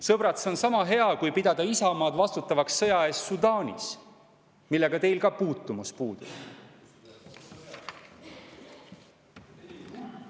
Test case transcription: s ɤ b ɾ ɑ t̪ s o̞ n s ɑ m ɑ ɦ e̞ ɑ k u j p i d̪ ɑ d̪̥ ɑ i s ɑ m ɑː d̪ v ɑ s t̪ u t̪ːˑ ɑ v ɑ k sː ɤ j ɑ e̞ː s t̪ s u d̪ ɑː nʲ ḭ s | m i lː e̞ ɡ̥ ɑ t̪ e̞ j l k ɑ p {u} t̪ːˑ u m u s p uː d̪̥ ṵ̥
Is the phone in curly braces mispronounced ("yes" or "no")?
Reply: yes